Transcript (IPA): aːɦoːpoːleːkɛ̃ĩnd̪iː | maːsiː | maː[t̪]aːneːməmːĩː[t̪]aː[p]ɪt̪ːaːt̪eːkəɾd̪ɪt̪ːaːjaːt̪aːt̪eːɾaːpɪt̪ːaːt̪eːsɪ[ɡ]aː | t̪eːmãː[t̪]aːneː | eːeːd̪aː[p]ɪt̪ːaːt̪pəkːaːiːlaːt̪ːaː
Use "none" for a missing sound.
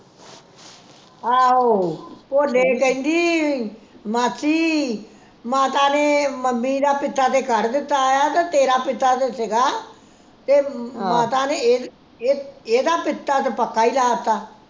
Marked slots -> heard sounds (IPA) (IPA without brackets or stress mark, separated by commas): t̪, d̪, p, ɡ, t̪, p